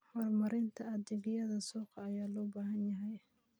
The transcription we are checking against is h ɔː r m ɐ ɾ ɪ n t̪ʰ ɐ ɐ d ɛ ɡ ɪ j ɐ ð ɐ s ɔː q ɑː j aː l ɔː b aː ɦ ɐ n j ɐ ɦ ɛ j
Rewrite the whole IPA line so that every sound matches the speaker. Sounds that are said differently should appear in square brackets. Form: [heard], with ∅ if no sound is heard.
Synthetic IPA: h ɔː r m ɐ ɾ ɪ n t̪ʰ ɐ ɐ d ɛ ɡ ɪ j ɐ ð ɐ s [uː] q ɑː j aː l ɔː b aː ɦ ɐ n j ɐ ɦ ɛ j